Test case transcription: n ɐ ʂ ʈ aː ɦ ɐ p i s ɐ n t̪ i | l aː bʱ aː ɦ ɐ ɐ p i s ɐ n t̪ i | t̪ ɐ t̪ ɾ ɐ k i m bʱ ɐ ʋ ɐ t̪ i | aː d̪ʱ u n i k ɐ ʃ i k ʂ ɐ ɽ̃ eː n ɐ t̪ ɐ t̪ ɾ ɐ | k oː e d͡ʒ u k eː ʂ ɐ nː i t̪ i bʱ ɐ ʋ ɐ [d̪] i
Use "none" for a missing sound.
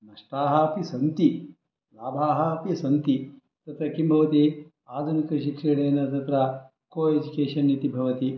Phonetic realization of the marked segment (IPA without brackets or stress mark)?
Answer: t̪